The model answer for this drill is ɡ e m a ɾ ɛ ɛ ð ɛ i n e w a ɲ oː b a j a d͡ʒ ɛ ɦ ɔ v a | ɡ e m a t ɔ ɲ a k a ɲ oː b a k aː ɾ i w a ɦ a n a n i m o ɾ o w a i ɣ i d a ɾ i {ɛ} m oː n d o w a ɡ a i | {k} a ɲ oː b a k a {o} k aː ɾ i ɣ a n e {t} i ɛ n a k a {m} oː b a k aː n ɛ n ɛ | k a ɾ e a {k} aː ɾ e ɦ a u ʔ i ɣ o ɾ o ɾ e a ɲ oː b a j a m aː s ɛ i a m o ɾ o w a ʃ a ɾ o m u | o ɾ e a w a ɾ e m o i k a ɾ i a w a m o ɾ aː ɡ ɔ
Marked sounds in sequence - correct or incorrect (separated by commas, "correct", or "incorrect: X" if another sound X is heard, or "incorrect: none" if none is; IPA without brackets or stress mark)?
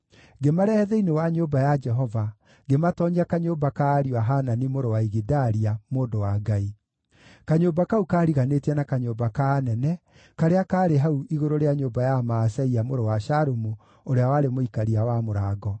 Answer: incorrect: a, correct, incorrect: u, correct, incorrect: ɲ, correct